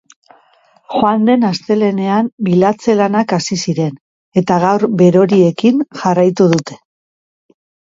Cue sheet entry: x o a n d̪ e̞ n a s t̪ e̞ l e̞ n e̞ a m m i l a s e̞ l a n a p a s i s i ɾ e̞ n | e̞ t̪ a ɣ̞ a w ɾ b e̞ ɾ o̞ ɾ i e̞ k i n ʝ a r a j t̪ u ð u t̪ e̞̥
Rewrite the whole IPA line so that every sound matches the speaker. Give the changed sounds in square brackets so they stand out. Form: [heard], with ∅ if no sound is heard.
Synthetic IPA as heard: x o a n d̪ e̞ n a s t̪ e̞ l e̞ n e̞ a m [b] i l a [t͡s] e̞ l a n a [k] a s i s i ɾ e̞ n | e̞ t̪ a ɣ̞ a w ɾ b e̞ ɾ o̞ ɾ i e̞ k i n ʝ a r a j t̪ u ð u t̪ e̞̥

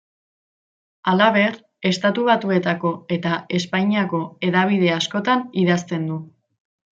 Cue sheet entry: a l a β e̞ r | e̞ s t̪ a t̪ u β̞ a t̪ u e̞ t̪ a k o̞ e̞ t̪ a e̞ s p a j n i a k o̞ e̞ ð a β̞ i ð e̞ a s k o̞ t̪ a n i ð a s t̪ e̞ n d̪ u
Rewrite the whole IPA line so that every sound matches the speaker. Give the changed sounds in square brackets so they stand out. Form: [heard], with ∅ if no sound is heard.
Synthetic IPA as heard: a l a β e̞ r | e̞ s t̪ a t̪ u β̞ a t̪ u e̞ t̪ a k o̞ e̞ t̪ a e̞ s p a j [ɲ] i a k o̞ e̞ ð a β̞ i ð e̞ a s k o̞ t̪ a n i ð a s t̪ e̞ n d̪ u

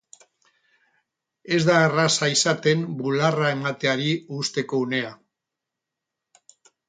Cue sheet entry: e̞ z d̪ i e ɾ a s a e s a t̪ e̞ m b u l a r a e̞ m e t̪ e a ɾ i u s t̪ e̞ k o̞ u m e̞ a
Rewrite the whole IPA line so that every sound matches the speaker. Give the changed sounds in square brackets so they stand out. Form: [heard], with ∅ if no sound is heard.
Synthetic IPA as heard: e̞ z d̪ [a] e [r] a s a [i] s a t̪ e̞ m b u l a r a e̞ m [a] t̪ e a ɾ i u s t̪ e̞ k o̞ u [n] e̞ a

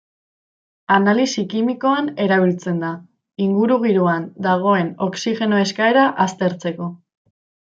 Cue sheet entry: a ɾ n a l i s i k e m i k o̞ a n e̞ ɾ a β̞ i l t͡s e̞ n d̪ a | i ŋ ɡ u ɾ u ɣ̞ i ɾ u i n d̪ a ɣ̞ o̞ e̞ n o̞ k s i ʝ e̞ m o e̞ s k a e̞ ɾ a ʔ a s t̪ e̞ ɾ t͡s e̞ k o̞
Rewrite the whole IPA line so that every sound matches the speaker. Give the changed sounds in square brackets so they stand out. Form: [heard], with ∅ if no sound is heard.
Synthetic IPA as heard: a [∅] n a l i s i k [i] m i k o̞ a n e̞ ɾ a β̞ i l t͡s e̞ n d̪ a | i ŋ ɡ u ɾ u ɣ̞ i ɾ u [a] n d̪ a ɣ̞ o̞ e̞ n o̞ k s i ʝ e̞ [n] o e̞ s k a e̞ ɾ a ʔ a s t̪ e̞ ɾ t͡s e̞ k o̞

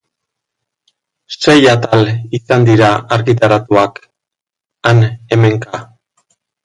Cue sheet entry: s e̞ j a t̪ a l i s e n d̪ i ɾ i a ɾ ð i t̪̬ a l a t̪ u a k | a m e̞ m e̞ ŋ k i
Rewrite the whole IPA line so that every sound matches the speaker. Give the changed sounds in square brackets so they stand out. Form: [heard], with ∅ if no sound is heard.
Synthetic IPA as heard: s e̞ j a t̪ a l i s [a] n d̪ i ɾ [a] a ɾ [ɣ] i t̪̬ a [ɾ] a t̪ u a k | a [n] e̞ m e̞ ŋ k [a]

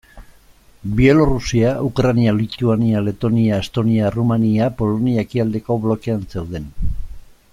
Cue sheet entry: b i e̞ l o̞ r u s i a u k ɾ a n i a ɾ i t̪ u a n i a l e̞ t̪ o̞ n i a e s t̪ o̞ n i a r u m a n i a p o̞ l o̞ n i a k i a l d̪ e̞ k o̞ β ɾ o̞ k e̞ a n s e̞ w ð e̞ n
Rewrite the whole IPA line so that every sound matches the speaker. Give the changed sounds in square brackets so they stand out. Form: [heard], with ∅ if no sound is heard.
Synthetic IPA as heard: b i e̞ l o̞ r u s i a u k ɾ a n i a [l] i t̪ u a n i a l e̞ t̪ o̞ n i a e s t̪ o̞ n i a r u m a n i a p o̞ l o̞ n i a k i a l d̪ e̞ k o̞ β [l] o̞ k e̞ a n s e̞ w ð e̞ n

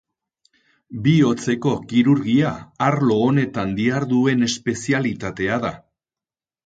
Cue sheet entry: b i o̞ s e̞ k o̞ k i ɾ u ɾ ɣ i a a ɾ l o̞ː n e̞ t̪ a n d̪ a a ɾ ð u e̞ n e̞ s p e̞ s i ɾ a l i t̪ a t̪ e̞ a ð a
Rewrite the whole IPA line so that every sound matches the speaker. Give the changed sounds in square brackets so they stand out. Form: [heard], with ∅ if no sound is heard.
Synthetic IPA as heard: b i o̞ [t͡s] e̞ k o̞ k i ɾ u ɾ ɣ i a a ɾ l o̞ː n e̞ t̪ a n d̪ [i] a ɾ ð u e̞ n e̞ s p e̞ s i [∅] a l i t̪ a t̪ e̞ a ð a

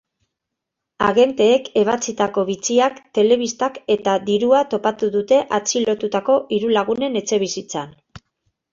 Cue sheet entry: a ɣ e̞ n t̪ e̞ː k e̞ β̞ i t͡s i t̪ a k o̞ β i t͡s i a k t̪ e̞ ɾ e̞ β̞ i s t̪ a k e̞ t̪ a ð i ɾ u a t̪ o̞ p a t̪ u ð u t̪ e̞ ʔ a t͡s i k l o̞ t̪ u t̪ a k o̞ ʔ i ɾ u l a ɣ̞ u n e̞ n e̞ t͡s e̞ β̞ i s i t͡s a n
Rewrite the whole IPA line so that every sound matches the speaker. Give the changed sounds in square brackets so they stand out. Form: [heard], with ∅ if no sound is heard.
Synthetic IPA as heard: a ɣ e̞ n t̪ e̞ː k e̞ β̞ [a] t͡s i t̪ a k o̞ β i t͡s i a k t̪ e̞ [l] e̞ β̞ i s t̪ a k e̞ t̪ a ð i ɾ u a t̪ o̞ p a t̪ u ð u t̪ e̞ ʔ a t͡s i [∅] l o̞ t̪ u t̪ a k o̞ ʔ i ɾ u l a ɣ̞ u n e̞ n e̞ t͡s e̞ β̞ i s i t͡s a n

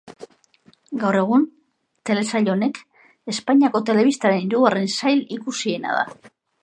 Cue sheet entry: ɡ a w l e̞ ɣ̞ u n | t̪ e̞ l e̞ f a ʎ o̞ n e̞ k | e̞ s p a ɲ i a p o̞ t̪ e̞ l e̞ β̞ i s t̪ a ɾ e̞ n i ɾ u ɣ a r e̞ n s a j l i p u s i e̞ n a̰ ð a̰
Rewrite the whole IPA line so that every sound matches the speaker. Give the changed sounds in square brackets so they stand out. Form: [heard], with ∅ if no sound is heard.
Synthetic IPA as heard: ɡ a w [r] e̞ ɣ̞ u n | t̪ e̞ l e̞ [s] a ʎ o̞ n e̞ k | e̞ s p a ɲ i a [k] o̞ t̪ e̞ l e̞ β̞ i s t̪ a ɾ e̞ n i ɾ u ɣ a r e̞ n s a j l i [k] u s i e̞ n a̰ ð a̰

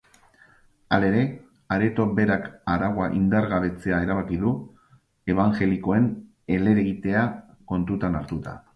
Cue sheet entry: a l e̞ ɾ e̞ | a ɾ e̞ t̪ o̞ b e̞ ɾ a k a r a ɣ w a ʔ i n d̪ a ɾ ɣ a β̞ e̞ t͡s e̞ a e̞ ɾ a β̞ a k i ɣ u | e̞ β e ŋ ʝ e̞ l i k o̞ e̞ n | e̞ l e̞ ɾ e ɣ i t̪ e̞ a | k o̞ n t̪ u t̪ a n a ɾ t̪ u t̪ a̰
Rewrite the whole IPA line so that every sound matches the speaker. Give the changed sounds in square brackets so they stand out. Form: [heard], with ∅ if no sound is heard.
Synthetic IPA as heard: a l e̞ ɾ e̞ | a ɾ e̞ t̪ o̞ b e̞ ɾ a k a [ɾ] a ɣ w a ʔ i n d̪ a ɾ ɣ a β̞ e̞ t͡s e̞ a e̞ ɾ a β̞ a k i [ð] u | e̞ β [a] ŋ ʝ e̞ l i k o̞ e̞ n | e̞ l e̞ ɾ e ɣ i t̪ e̞ a | k o̞ n t̪ u t̪ a n a ɾ t̪ u t̪ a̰

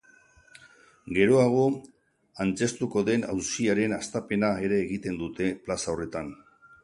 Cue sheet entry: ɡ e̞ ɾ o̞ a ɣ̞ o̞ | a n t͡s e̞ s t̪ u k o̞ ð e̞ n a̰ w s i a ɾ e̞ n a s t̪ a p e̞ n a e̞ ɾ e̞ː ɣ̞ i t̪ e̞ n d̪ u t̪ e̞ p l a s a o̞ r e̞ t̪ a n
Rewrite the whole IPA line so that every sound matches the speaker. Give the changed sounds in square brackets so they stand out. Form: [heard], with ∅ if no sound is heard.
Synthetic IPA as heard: ɡ e̞ ɾ o̞ a ɣ̞ o̞ | a n t͡s e̞ s t̪ u k o̞ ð e̞ n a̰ w s i a ɾ e̞ n a s t̪ a p e̞ n a e̞ ɾ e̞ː ɣ̞ i t̪ e̞ n d̪ u t̪ e̞ p l a s a o̞ r e̞ t̪ a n

